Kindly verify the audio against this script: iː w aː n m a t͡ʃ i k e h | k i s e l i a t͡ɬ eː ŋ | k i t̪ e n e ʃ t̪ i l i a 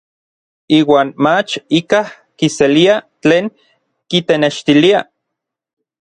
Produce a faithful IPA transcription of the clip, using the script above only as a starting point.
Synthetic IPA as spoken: iː w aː n m a t͡ʃ i k a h | k i s e l i a t͡ɬ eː ŋ | k i t̪ e n e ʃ t̪ i l i a